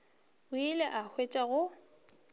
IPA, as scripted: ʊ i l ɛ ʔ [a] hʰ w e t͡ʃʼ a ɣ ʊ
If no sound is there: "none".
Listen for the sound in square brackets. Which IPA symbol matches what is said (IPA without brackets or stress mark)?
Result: a